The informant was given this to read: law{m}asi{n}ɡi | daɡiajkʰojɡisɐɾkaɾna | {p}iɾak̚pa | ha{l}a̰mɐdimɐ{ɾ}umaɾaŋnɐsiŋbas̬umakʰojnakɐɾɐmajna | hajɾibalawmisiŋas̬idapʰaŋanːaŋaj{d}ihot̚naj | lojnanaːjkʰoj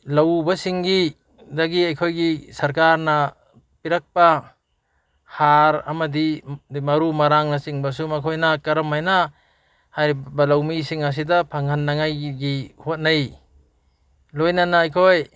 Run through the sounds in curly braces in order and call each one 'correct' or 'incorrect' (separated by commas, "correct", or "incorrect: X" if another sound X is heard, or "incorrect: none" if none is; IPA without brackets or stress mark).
incorrect: b, incorrect: ŋ, correct, incorrect: ɾ, correct, incorrect: ɡ